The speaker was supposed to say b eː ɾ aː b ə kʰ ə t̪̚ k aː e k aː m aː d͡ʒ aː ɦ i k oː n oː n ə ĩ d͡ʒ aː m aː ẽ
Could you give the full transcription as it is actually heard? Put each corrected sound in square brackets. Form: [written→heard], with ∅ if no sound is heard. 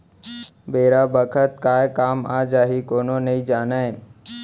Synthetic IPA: b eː ɾ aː b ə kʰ ə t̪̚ k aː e k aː m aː d͡ʒ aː ɦ i k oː n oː n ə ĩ d͡ʒ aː [m→n] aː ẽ